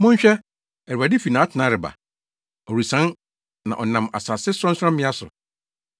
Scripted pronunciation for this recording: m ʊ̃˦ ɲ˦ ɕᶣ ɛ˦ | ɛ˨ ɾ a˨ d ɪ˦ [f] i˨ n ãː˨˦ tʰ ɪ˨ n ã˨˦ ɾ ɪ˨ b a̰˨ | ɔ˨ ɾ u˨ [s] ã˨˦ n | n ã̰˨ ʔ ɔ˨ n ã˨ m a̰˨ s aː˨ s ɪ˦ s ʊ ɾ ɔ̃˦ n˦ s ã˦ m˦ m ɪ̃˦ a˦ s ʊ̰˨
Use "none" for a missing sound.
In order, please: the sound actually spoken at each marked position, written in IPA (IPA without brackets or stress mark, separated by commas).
f, s